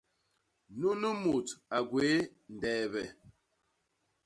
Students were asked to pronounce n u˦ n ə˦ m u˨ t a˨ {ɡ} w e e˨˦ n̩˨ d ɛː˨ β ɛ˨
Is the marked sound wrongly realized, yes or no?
no